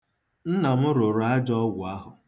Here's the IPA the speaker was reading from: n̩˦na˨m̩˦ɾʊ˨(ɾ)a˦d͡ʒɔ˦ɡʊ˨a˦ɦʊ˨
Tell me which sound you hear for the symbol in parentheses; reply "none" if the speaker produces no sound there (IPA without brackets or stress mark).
ɾ